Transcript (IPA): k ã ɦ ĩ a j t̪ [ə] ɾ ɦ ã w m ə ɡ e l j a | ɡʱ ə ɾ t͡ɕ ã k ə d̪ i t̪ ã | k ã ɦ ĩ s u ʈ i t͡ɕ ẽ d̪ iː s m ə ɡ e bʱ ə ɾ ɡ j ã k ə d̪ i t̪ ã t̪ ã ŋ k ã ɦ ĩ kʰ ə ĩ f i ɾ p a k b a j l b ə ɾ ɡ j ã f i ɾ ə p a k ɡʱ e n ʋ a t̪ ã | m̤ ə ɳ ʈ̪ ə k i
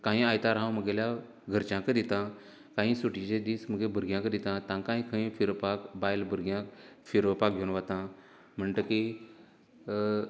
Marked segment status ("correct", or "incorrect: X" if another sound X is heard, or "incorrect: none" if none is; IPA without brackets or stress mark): incorrect: a